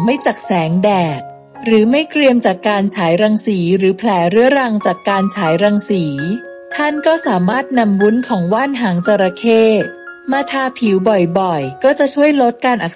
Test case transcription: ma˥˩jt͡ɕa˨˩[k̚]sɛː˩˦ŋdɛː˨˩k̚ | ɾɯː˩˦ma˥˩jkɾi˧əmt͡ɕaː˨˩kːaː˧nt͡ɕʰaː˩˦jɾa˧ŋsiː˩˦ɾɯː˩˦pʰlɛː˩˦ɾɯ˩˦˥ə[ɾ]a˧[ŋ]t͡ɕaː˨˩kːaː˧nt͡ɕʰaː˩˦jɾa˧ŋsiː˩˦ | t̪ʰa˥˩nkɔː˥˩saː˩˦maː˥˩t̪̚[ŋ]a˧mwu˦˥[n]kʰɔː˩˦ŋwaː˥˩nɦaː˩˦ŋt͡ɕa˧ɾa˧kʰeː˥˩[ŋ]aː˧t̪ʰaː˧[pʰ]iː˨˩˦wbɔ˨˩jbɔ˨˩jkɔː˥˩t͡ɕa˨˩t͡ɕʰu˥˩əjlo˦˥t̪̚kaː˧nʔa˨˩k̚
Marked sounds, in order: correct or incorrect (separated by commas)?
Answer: correct, correct, correct, incorrect, correct, incorrect, correct